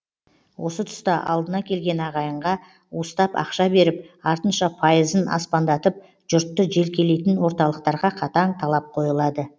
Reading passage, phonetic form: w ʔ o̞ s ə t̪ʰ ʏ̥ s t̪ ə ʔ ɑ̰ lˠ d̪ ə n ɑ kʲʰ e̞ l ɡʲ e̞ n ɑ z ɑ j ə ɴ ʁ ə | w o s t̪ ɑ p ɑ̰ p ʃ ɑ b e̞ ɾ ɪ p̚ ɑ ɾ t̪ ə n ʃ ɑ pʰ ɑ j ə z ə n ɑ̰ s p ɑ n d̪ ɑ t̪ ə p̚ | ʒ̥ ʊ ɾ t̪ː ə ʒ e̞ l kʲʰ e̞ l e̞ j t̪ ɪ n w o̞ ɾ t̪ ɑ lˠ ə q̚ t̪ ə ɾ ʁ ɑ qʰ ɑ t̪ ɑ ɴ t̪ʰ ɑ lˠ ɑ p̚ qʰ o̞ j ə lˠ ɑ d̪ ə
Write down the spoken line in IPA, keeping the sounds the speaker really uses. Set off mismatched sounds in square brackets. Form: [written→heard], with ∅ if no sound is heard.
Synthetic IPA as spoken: w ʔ o̞ s ə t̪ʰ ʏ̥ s t̪ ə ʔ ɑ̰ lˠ d̪ ə n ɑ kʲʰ e̞ l ɡʲ e̞ n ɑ [z→ʁ] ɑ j ə ɴ ʁ [ə→ɑ] | w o s t̪ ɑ p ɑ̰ [p→q] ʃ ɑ b e̞ ɾ ɪ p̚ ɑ ɾ t̪ ə n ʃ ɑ pʰ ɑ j ə z ə n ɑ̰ s p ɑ n d̪ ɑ t̪ ə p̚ | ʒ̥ ʊ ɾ t̪ː ə ʒ e̞ l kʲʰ e̞ l e̞ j t̪ ɪ n w o̞ ɾ t̪ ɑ lˠ ə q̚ t̪ [ə→ɑ] ɾ ʁ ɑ qʰ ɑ t̪ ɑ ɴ t̪ʰ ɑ lˠ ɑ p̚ qʰ o̞ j ə lˠ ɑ d̪ ə